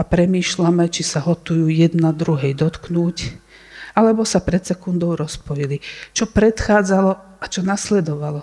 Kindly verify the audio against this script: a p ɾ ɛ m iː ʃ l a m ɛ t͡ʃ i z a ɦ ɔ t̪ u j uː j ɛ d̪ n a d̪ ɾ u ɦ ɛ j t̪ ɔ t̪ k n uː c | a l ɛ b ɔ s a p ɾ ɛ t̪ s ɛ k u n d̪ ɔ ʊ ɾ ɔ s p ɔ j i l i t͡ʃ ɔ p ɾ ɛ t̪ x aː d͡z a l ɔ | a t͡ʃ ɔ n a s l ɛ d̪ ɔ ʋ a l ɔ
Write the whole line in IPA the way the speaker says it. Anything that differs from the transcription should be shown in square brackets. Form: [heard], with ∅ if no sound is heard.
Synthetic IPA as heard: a p ɾ ɛ m iː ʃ l a m ɛ t͡ʃ i [s] a ɦ ɔ t̪ u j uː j ɛ d̪ n a d̪ ɾ u ɦ ɛ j [d̪] ɔ t̪ k n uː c | a l ɛ b ɔ s a p ɾ ɛ t̪ s ɛ k u n d̪ ɔ ʊ ɾ ɔ s p ɔ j i l i t͡ʃ ɔ p ɾ ɛ t̪ x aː d͡z a l ɔ | a t͡ʃ ɔ n a s l ɛ d̪ ɔ ʋ a l ɔ